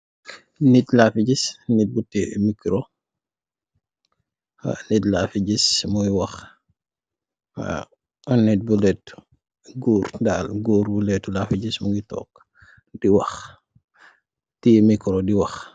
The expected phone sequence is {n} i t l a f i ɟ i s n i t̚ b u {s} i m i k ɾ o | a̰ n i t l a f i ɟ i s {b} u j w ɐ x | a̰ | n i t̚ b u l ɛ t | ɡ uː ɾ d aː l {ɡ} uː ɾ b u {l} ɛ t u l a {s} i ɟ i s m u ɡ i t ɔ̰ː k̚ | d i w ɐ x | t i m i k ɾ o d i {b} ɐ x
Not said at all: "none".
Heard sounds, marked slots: n, t, m, ɡ, l, f, w

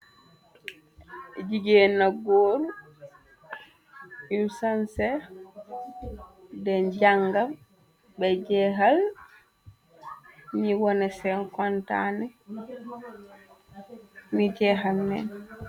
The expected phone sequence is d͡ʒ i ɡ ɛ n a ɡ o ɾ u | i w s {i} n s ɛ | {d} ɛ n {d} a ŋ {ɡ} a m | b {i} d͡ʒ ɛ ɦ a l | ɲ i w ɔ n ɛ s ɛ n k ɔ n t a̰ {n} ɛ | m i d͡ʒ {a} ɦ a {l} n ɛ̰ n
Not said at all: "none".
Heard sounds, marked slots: a, d, d͡ʒ, ɡ, ɛ, n, ɛ, l

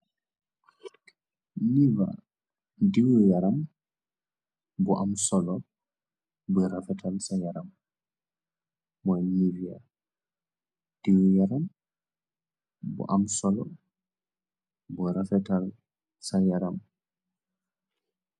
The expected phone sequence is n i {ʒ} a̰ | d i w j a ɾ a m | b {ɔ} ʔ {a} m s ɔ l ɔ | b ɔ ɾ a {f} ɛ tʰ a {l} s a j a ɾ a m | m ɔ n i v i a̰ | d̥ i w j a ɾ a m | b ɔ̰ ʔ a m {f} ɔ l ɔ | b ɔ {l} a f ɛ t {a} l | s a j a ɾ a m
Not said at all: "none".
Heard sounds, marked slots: v, ɔ, a, f, l, s, ɾ, a

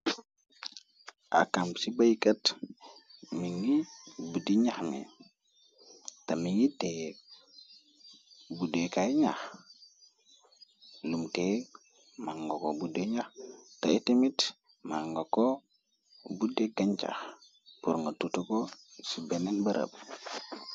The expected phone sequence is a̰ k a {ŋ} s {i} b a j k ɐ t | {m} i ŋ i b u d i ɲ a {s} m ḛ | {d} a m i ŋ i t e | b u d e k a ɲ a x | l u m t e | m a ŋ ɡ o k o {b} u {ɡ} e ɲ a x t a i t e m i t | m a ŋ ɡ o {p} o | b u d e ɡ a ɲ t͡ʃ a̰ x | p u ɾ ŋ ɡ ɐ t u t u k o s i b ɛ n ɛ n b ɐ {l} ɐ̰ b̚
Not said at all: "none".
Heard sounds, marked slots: m, i, m, x, t, b, d, k, ɾ

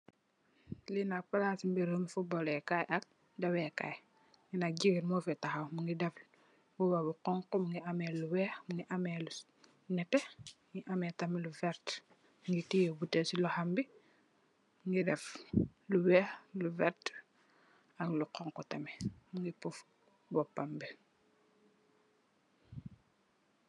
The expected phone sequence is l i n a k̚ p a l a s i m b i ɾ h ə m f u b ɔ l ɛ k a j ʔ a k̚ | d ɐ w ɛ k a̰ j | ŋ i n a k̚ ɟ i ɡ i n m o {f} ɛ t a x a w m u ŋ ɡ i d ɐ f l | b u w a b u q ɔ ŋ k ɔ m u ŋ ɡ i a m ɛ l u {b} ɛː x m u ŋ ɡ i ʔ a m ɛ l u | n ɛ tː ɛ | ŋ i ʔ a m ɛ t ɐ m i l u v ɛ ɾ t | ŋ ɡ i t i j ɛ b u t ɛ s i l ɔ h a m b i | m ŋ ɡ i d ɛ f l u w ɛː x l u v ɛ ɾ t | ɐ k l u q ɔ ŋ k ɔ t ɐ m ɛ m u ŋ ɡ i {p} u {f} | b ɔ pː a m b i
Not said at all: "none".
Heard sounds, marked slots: f, w, p, f

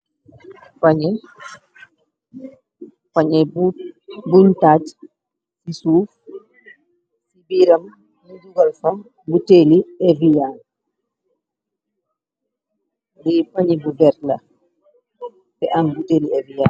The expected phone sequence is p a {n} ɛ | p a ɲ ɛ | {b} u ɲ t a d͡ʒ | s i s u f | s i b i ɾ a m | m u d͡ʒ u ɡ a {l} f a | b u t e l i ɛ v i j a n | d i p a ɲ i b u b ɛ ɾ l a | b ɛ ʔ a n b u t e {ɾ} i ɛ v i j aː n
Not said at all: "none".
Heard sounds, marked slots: ɲ, b, l, l

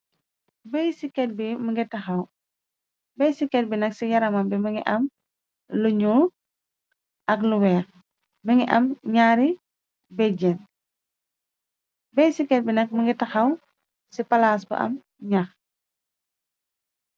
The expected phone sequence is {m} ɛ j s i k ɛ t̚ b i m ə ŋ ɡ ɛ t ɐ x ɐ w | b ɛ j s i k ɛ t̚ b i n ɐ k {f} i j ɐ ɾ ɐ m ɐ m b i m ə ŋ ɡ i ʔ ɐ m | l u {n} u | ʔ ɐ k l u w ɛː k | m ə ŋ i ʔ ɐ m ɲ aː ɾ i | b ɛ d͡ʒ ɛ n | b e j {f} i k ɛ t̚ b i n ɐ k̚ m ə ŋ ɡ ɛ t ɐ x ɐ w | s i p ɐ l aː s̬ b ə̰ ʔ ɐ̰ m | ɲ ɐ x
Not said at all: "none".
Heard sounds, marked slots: b, s, ɲ, s

